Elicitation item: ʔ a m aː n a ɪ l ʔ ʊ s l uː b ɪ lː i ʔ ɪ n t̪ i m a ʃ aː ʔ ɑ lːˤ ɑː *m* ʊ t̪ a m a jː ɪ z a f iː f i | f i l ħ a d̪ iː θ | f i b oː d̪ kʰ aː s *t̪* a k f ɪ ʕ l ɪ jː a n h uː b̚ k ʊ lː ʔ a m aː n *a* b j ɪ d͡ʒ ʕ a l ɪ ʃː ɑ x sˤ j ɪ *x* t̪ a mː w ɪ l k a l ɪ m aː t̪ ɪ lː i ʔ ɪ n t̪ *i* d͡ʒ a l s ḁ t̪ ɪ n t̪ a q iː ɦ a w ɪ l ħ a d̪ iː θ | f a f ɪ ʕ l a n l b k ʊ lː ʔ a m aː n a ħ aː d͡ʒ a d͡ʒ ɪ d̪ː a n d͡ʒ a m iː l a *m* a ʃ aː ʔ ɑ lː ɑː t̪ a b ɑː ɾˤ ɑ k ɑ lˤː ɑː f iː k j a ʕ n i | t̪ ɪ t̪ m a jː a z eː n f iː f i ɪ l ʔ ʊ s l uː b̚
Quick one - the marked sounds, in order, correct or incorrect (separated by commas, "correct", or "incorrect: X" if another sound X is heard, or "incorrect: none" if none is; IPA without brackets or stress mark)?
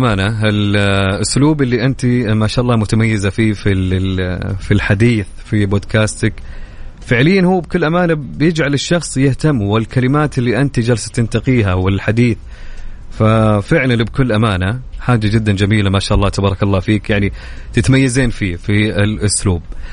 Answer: correct, correct, correct, incorrect: h, correct, correct